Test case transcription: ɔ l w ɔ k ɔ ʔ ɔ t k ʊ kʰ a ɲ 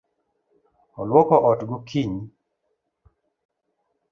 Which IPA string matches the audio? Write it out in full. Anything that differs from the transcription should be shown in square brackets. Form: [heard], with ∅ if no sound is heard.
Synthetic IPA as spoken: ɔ l w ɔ k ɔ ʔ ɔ t [ɡ] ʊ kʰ [i] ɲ